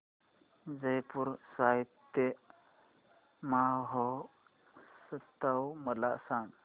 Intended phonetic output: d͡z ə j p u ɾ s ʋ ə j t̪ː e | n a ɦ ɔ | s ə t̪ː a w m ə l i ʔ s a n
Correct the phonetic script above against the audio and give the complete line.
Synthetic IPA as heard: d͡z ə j p u ɾ s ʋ a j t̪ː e | m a ɦ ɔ | s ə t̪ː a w m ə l a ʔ s a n